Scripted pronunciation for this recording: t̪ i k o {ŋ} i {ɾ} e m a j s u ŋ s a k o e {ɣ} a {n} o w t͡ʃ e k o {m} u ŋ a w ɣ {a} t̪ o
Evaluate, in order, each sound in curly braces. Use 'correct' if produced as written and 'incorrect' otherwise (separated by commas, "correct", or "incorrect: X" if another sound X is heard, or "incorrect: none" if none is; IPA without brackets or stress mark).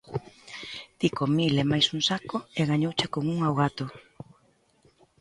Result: incorrect: m, incorrect: l, correct, incorrect: ɲ, incorrect: ŋ, correct